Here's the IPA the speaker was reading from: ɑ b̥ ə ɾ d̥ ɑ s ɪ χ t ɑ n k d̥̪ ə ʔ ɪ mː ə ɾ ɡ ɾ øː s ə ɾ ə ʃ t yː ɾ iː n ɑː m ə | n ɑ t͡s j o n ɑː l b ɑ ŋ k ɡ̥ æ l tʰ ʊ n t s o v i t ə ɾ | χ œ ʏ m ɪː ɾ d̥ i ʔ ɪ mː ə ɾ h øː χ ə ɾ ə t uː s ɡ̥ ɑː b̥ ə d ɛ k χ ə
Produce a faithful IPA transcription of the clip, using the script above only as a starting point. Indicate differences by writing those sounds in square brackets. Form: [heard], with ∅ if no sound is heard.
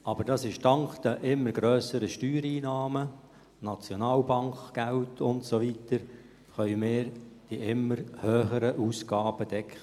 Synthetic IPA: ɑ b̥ ə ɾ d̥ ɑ s ɪ [ʃ] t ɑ [ŋ] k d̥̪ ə ʔ ɪ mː ə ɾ ɡ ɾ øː s ə ɾ ə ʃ t yː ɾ iː n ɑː m ə | n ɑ t͡s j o n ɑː l b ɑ ŋ k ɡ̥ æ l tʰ ʊ n t s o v i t ə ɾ | χ œ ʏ m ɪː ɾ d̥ i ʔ ɪ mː ə ɾ h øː χ ə ɾ ə [ʔ] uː s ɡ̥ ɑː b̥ ə d ɛ k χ ə